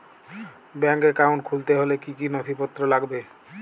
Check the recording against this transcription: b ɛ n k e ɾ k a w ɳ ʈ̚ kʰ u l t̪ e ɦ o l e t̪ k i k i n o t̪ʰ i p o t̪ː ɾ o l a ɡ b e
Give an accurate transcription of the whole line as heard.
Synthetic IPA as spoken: b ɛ ŋ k e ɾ k a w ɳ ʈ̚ kʰ u l t̪ e ɦ o l e k i k i n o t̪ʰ i p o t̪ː ɾ o l a ɡ b e